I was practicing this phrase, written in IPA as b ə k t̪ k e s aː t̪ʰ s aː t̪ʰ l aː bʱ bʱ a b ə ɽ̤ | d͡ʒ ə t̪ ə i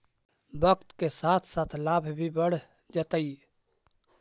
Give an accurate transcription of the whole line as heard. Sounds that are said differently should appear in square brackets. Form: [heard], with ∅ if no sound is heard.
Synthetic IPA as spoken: b ə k t̪ k e s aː t̪ʰ s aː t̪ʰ l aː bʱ bʱ [i] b ə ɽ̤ | d͡ʒ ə t̪ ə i